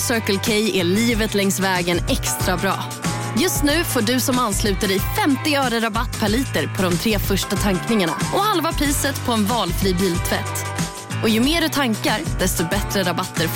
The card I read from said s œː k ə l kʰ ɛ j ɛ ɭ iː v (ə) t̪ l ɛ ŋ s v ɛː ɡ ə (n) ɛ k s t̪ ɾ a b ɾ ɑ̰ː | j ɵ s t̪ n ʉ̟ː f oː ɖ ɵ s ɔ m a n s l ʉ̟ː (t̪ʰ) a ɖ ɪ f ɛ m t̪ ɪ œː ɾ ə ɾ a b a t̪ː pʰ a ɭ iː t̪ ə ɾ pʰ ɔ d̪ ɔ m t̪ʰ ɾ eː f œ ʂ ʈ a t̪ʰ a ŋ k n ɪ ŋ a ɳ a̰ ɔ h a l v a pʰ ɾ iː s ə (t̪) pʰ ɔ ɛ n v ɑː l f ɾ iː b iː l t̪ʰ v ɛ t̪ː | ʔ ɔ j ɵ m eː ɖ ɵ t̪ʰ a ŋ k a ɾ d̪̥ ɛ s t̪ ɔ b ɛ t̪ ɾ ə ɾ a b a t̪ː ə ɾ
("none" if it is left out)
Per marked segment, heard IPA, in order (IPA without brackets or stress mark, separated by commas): ə, n, t̪, t̪